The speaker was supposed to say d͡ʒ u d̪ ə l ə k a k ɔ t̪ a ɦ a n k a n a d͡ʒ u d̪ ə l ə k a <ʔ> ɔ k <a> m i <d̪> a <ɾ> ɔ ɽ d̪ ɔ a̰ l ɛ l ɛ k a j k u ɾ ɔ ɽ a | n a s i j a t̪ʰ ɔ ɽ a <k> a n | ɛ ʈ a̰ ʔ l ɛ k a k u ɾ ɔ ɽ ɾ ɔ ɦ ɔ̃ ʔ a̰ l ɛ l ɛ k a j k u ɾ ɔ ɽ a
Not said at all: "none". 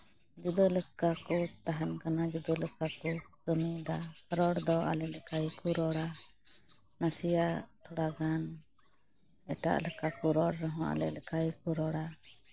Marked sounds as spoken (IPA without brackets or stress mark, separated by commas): k, ə, d̪, ɾ, ɡ